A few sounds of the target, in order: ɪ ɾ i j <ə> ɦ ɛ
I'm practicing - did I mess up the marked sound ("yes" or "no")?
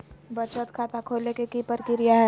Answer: yes